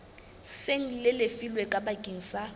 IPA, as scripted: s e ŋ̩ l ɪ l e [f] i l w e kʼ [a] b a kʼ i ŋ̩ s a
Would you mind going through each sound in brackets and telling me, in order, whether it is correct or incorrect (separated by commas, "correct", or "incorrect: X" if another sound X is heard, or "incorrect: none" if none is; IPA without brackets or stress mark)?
correct, correct